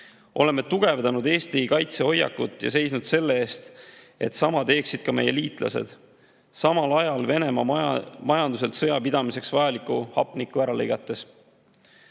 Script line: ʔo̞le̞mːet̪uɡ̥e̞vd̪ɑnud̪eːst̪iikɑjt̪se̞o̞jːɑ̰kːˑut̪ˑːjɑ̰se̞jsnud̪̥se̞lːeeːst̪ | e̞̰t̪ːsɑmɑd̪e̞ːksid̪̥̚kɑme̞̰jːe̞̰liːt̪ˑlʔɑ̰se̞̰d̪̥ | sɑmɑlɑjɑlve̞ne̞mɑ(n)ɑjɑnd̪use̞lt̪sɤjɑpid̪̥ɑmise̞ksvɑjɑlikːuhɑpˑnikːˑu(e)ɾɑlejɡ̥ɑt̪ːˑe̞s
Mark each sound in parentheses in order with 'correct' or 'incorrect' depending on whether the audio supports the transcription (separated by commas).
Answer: incorrect, incorrect